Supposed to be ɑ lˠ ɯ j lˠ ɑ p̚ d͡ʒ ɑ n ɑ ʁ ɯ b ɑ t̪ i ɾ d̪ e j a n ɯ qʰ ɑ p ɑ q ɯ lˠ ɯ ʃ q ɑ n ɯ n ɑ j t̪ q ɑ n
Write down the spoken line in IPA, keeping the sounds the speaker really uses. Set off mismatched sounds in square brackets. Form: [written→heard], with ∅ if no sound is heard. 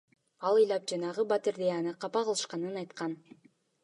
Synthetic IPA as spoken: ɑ lˠ ɯ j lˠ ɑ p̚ d͡ʒ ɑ n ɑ ʁ ɯ b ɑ t̪ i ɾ d̪ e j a n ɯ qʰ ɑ p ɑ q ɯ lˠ ɯ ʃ q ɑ n ɯ n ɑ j t̪ q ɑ n